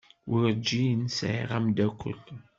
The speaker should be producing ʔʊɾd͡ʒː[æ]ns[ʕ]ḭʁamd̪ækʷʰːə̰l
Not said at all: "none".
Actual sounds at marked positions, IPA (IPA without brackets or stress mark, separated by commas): i, ʕ